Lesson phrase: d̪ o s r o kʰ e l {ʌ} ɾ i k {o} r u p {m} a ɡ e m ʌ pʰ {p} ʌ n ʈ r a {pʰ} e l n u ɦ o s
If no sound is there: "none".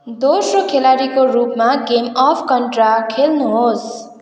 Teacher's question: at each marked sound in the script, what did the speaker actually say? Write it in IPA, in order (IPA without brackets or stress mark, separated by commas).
a, o, m, k, kʰ